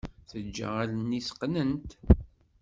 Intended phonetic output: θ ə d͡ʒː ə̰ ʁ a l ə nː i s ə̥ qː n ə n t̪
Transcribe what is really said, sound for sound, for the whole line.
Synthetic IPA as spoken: θ ə d͡ʒː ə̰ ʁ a l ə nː i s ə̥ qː n ə n t̪